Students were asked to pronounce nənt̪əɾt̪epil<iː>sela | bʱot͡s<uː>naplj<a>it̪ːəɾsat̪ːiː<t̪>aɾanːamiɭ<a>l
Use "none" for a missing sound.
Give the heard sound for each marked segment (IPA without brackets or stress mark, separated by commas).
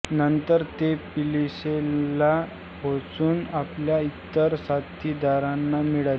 i, uː, a, d̪, a